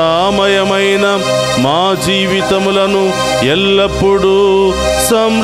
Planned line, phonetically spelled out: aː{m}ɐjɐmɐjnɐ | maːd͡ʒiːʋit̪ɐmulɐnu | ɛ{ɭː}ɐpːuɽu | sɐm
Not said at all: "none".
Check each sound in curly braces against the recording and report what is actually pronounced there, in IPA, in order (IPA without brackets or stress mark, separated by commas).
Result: m, lː